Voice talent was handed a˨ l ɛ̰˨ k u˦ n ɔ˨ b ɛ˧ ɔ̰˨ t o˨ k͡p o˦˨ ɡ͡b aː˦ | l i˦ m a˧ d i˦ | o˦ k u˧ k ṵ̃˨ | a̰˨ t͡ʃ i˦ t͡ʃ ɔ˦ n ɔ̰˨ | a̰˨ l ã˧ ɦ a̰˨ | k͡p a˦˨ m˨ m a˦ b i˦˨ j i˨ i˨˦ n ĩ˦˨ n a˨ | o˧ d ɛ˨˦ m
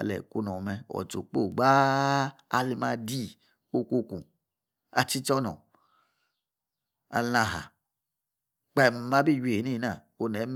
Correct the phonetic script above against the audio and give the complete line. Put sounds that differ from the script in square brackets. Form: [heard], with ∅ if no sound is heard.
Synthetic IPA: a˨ l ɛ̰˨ k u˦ n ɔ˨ [m] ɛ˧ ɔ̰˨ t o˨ k͡p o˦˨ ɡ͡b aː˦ | l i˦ m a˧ d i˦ | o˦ k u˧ k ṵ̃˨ | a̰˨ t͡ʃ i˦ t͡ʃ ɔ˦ n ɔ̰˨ | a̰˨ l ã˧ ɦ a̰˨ | k͡p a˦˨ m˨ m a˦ b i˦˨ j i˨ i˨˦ n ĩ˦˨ n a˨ | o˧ [n] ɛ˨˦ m